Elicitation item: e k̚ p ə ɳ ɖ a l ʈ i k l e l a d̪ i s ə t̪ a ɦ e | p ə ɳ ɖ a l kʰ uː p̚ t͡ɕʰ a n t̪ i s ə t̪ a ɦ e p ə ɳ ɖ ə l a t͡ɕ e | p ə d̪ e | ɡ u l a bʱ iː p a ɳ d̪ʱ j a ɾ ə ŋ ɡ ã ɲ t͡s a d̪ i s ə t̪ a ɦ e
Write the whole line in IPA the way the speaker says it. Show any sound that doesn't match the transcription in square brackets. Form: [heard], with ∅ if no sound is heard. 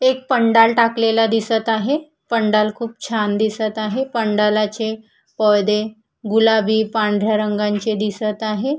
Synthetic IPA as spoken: e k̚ p ə ɳ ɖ a l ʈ [a] k l e l a d̪ i s ə t̪ a ɦ e | p ə ɳ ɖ a l kʰ uː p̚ t͡ɕʰ a n [d̪] i s ə t̪ a ɦ e p ə ɳ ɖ [a] l a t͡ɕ e | p ə d̪ e | ɡ u l a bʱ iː p a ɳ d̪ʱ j a ɾ ə ŋ ɡ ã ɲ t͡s [e] d̪ i s ə t̪ a ɦ e